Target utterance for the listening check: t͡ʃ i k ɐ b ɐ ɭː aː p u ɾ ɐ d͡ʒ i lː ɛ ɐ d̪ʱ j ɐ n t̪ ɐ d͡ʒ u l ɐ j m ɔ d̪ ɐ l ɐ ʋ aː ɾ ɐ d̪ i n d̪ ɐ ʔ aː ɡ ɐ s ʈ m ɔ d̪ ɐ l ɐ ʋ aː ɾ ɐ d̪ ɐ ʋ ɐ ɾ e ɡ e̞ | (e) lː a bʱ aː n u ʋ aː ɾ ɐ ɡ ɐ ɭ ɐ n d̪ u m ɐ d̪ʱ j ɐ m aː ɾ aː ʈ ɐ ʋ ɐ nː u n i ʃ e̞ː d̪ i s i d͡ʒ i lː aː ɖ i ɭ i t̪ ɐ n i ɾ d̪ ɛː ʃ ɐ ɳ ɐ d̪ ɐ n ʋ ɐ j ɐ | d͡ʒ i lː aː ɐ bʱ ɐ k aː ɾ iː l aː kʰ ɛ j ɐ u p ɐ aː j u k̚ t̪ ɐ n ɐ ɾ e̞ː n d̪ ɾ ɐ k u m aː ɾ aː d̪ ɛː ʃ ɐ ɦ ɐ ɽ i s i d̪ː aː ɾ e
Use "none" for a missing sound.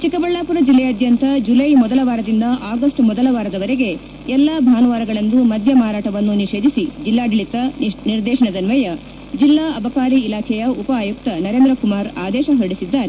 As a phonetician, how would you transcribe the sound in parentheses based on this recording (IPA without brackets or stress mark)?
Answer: ɛ